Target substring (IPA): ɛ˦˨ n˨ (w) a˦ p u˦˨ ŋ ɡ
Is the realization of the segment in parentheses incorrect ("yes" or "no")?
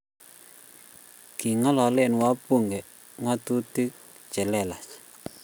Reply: no